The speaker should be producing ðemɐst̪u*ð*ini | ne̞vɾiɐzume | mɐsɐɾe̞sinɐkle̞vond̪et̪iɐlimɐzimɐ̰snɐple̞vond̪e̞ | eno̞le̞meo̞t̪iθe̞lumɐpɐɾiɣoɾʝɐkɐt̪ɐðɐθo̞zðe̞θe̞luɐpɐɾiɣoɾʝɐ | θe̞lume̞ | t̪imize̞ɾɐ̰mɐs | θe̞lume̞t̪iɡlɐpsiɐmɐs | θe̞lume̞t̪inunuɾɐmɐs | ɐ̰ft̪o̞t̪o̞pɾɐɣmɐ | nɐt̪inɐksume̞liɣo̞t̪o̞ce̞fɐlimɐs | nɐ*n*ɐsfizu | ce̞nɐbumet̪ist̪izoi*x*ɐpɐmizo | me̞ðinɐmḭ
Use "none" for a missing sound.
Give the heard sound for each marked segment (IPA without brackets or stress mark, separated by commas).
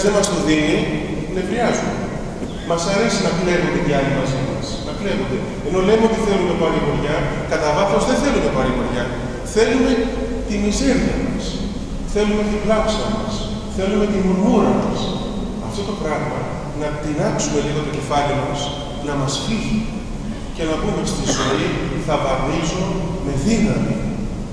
ð, m, θ